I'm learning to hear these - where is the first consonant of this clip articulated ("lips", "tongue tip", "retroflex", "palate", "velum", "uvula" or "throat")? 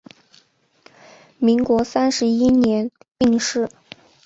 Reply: lips